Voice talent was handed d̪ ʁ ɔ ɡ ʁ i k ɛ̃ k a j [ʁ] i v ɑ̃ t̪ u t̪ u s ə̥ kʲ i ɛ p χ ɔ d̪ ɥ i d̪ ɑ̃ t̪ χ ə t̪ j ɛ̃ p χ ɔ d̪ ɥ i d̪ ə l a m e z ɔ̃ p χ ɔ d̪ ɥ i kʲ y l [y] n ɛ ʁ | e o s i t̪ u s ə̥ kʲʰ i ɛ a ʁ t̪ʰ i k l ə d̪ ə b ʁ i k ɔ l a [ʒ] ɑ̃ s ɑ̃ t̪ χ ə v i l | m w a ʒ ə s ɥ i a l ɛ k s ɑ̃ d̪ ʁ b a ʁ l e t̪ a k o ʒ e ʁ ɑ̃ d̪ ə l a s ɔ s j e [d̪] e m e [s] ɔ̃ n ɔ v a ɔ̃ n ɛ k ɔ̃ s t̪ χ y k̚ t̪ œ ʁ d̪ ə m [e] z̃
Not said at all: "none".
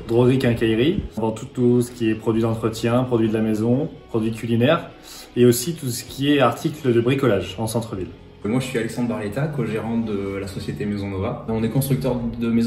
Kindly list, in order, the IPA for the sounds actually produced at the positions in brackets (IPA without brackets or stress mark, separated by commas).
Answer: ʁ, i, ʒ, t̪, z, e